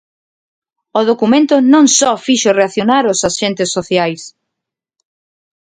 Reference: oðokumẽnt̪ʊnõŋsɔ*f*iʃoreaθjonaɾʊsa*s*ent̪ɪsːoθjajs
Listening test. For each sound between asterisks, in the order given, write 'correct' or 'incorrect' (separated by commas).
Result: correct, incorrect